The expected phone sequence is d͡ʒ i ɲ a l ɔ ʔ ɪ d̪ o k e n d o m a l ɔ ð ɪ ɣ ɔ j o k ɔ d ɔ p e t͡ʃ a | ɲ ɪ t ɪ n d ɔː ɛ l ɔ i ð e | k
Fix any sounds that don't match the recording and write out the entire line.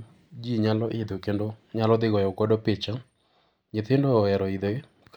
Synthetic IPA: d͡ʒ i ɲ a l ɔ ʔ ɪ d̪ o k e n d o ɲ a l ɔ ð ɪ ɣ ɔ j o k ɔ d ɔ p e t͡ʃ a | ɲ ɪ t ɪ n d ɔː ɛ ɾ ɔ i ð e | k